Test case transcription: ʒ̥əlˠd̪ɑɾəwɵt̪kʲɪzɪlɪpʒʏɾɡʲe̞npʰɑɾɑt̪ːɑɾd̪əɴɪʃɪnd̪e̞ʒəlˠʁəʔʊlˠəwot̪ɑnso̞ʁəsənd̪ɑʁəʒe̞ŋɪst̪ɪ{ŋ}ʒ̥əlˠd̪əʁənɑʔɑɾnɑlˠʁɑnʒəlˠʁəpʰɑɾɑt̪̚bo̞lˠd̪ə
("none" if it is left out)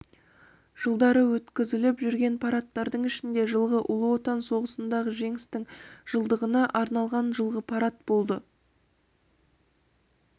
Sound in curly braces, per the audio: ŋ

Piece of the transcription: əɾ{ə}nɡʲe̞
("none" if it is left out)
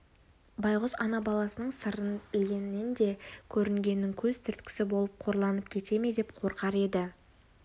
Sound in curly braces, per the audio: ə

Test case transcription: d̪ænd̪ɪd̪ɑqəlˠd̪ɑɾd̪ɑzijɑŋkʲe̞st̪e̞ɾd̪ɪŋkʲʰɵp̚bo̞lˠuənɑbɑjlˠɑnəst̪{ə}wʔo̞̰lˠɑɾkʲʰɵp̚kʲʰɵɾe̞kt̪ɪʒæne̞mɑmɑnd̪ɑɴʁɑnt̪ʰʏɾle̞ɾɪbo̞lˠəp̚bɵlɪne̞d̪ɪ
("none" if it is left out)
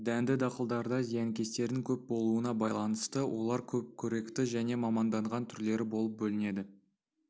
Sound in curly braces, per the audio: ə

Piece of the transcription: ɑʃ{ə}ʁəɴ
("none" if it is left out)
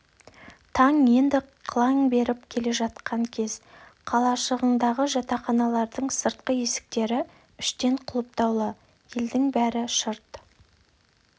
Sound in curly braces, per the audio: ə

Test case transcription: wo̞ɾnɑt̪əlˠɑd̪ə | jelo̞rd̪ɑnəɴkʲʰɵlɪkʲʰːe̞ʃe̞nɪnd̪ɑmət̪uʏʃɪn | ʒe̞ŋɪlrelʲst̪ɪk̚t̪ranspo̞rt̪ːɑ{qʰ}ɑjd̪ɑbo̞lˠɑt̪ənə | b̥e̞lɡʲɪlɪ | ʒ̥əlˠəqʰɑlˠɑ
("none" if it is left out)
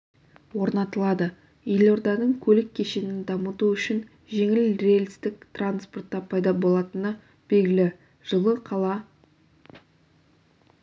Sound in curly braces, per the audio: pʰ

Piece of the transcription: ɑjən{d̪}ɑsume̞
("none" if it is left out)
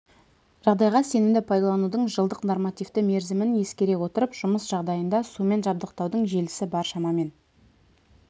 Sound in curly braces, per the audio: d̪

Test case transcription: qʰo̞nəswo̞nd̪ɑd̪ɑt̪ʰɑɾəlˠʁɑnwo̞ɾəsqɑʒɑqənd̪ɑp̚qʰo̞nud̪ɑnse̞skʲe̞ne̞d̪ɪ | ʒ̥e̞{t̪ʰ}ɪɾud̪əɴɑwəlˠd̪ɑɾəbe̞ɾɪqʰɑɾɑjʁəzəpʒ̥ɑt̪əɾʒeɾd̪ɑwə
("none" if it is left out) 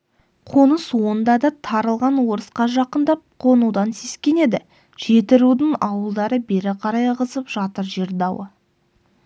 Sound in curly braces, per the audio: t̪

